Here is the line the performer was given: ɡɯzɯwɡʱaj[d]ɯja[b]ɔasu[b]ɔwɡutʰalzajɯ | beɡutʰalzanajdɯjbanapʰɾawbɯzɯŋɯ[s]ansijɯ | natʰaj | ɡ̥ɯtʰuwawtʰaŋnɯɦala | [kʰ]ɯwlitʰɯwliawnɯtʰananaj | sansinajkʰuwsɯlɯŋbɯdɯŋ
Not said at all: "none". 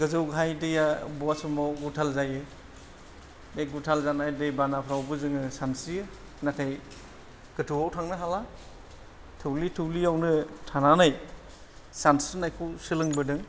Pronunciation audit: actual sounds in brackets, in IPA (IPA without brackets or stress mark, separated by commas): d, b, m, s, tʰ